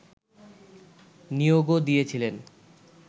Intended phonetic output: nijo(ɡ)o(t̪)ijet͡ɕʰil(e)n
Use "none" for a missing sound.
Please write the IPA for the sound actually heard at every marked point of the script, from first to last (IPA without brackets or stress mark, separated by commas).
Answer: ɡ, d̪, e